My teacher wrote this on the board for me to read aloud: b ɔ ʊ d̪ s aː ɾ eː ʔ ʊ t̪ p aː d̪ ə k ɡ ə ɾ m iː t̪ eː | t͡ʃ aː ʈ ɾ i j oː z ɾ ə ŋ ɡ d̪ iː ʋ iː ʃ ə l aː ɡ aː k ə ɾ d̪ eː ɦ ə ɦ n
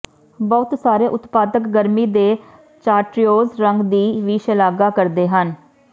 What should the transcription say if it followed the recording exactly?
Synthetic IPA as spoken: b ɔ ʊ t̪ s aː ɾ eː ʔ ʊ t̪ p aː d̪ ə k ɡ ə ɾ m iː d̪ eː | t͡ʃ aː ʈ ɾ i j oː z ɾ ə ŋ ɡ d̪ iː ʋ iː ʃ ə l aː ɡ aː k ə ɾ d̪ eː ɦ ə n